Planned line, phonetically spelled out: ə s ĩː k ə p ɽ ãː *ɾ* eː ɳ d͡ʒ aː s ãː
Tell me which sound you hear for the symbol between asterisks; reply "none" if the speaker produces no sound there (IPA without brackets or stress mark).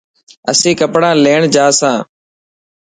l